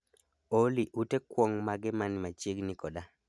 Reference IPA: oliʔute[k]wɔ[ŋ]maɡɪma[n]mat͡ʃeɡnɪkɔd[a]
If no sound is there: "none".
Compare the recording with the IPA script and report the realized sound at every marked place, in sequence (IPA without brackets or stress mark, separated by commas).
k, ŋ, n, a